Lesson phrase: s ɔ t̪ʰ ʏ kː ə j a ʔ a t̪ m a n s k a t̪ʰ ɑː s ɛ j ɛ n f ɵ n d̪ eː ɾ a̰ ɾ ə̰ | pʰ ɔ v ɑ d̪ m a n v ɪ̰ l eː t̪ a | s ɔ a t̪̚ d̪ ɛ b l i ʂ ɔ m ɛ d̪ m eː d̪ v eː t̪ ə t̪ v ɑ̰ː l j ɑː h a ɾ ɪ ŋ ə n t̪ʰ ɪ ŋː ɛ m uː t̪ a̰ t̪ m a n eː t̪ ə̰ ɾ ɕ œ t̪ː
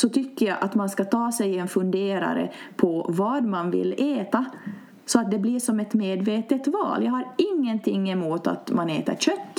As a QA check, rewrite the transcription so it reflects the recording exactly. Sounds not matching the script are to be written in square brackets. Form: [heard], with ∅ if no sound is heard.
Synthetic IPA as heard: s ɔ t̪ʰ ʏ kː ə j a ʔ a t̪ m a n s k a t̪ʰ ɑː s ɛ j ɛ n f ɵ n d̪ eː ɾ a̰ ɾ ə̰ | pʰ ɔ v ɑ d̪ m a n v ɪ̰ l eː t̪ a | s ɔ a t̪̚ d̪ ɛ b l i ʂ ɔ m ɛ [t̪] m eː d̪ v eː t̪ ə t̪ v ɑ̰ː l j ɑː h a ɾ ɪ [ŋː] ə n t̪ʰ ɪ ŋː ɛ m uː t̪ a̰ t̪ m a n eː t̪ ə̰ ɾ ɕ œ t̪ː